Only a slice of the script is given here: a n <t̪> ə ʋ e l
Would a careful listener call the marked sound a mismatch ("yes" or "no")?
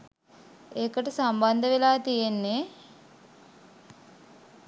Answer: yes